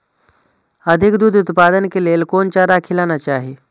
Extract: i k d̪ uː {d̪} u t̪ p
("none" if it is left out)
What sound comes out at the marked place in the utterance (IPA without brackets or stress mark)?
d̪